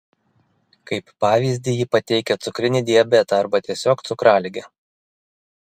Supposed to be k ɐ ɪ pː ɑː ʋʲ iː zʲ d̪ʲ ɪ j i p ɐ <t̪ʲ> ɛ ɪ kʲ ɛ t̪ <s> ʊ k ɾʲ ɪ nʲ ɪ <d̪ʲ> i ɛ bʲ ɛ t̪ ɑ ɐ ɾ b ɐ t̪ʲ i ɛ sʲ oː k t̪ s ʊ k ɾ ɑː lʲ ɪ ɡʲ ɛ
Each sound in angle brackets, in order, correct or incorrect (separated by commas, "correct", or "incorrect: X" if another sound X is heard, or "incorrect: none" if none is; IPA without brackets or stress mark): correct, correct, correct